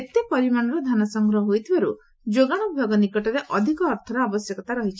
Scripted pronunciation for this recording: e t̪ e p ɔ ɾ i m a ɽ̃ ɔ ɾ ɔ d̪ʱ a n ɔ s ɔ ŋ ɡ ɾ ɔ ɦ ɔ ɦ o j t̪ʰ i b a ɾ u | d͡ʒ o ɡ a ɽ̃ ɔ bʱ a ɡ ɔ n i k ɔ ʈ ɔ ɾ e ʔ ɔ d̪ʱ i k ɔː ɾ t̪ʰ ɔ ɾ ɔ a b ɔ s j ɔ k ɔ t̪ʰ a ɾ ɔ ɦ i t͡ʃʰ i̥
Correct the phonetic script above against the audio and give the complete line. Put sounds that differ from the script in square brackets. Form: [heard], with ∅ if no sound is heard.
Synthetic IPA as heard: e t̪ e p ɔ ɾ i m a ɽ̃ ɔ ɾ ɔ d̪ʱ a n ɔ s ɔ ŋ ɡ ɾ ɔ ɦ ɔ ɦ o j t̪ʰ i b a ɾ u | d͡ʒ o ɡ a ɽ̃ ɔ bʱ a ɡ ɔ n i k ɔ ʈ ɔ ɾ e ʔ ɔ d̪ʱ i k ɔː ɾ t̪ʰ ɔ ɾ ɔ a b ɔ s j ɔ k ɔ [t̪] a ɾ ɔ ɦ i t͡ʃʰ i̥

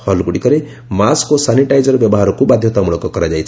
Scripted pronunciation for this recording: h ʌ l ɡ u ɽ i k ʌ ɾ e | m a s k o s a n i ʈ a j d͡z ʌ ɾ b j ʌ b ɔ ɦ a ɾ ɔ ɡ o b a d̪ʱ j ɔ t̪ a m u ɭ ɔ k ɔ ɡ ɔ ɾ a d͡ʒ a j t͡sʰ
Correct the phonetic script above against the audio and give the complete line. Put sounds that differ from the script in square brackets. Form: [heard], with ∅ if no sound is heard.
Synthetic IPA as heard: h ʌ l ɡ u ɽ i k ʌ ɾ e | m a s k o s a n i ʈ a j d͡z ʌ ɾ b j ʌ b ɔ ɦ a ɾ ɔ [k] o b a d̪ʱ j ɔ t̪ a m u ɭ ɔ k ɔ [k] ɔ ɾ a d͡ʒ a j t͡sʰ

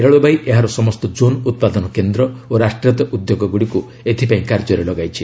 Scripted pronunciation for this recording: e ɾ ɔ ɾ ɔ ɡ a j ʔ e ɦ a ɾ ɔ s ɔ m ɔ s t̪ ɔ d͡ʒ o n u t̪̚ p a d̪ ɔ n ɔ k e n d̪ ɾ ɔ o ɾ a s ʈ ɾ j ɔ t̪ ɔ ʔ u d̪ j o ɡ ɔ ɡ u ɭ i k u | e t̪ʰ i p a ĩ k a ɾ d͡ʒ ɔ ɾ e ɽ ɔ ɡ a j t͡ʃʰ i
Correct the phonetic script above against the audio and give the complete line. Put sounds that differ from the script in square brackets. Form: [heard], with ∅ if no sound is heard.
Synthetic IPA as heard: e ɾ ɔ [ɭ] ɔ [b] a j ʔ e ɦ a ɾ ɔ s ɔ m ɔ s t̪ ɔ d͡ʒ o n u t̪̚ p a d̪ ɔ n ɔ k e n d̪ ɾ ɔ o ɾ a s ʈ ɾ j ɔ t̪ ɔ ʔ u d̪ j o ɡ ɔ ɡ u [ɽ] i k u | e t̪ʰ i p a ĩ k a ɾ d͡ʒ ɔ ɾ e [l] ɔ ɡ a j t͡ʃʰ i

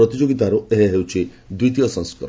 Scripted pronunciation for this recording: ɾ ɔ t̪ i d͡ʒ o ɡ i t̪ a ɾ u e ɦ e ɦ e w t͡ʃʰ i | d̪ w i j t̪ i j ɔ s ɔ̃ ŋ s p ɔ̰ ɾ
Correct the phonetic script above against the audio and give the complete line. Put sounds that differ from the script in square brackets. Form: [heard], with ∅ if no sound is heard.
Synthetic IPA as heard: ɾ ɔ t̪ i d͡ʒ o ɡ i t̪ a ɾ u e ɦ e ɦ e w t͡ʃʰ i | d̪ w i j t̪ i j ɔ s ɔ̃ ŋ s [k] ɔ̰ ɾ

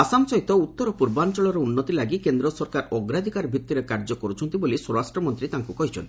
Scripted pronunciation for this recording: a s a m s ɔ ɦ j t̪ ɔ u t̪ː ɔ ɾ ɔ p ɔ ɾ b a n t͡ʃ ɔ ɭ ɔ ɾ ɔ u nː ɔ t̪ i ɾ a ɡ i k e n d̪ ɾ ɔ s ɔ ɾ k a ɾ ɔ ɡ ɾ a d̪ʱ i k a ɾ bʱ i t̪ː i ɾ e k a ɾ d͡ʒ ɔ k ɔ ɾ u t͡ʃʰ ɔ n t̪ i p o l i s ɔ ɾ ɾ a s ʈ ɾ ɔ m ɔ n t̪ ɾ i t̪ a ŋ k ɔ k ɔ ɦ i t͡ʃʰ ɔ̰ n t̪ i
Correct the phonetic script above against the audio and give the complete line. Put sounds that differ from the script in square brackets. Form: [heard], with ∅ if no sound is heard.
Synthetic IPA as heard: a s a m s ɔ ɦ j t̪ ɔ u t̪ː ɔ ɾ ɔ p [u] ɾ b a n t͡ʃ ɔ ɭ ɔ ɾ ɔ u nː ɔ t̪ i [l] a ɡ i k e n d̪ ɾ ɔ s ɔ ɾ k a ɾ ɔ ɡ ɾ a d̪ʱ i k a ɾ bʱ i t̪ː i ɾ e k a ɾ d͡ʒ ɔ k ɔ ɾ u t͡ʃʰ ɔ n t̪ i [b] o l i s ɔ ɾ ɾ a s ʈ ɾ ɔ m ɔ n t̪ ɾ i t̪ a ŋ k [u] k ɔ ɦ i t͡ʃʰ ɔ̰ n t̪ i

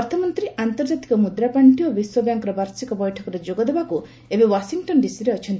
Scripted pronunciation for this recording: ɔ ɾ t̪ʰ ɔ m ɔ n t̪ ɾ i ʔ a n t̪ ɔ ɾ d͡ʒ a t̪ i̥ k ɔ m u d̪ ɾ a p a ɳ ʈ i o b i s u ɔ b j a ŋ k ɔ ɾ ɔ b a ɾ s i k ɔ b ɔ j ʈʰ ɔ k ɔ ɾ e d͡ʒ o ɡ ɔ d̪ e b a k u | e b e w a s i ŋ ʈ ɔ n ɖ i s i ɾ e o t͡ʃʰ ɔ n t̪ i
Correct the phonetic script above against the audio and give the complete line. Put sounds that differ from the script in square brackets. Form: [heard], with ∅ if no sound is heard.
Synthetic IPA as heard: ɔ ɾ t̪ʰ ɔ m ɔ n t̪ ɾ i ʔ a n t̪ ɔ ɾ d͡ʒ a t̪ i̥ k ɔ m u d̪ ɾ a p a ɳ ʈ i o b i s [w] ɔ b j a ŋ k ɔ ɾ ɔ b a ɾ s i k ɔ b ɔ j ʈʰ ɔ k ɔ ɾ e d͡ʒ o ɡ ɔ d̪ e b a k u | e b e w a s i ŋ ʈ ɔ n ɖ i s i ɾ e [ɔ] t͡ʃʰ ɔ n t̪ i

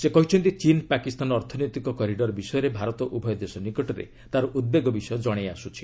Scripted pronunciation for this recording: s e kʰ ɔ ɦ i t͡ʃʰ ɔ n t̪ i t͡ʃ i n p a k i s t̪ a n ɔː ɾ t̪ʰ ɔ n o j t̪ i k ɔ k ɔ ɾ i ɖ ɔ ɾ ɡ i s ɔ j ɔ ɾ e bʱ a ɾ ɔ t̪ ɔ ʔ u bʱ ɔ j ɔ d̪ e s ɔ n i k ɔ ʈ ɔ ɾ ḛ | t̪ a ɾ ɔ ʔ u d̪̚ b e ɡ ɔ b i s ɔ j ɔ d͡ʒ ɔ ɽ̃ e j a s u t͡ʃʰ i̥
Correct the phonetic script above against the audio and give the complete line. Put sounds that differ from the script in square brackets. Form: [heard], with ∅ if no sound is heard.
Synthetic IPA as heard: s e [k] ɔ ɦ i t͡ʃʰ ɔ n t̪ i t͡ʃ i n p a k i s t̪ a n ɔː ɾ t̪ʰ ɔ n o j t̪ i k ɔ k ɔ ɾ i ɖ ɔ ɾ [b] i s ɔ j ɔ ɾ e bʱ a ɾ ɔ t̪ ɔ ʔ u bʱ ɔ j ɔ d̪ e s ɔ n i k ɔ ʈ ɔ ɾ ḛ | t̪ a ɾ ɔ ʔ u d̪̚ b e ɡ ɔ b i s ɔ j ɔ d͡ʒ ɔ ɽ̃ e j a s u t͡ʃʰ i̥

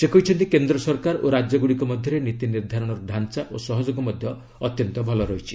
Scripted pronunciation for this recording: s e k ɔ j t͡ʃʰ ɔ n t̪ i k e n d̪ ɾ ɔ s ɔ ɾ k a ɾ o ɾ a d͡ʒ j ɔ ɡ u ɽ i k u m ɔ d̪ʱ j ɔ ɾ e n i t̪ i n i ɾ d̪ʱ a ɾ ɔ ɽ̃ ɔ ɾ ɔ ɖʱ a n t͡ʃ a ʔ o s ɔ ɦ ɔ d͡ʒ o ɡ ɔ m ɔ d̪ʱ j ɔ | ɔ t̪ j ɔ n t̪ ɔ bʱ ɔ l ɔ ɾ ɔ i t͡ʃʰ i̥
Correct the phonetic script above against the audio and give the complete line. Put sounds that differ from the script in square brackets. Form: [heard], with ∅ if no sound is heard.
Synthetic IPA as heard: s e k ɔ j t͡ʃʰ ɔ n t̪ i k e n d̪ ɾ ɔ s ɔ ɾ k a ɾ o ɾ a d͡ʒ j ɔ ɡ u ɽ i k [ɔ] m ɔ d̪ʱ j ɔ ɾ e n i t̪ i n i ɾ d̪ʱ a ɾ ɔ ɽ̃ ɔ ɾ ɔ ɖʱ a n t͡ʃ a ʔ o s ɔ ɦ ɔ d͡ʒ o ɡ ɔ m ɔ d̪ʱ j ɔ | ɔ t̪ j ɔ n t̪ ɔ bʱ ɔ l ɔ ɾ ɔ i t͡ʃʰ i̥

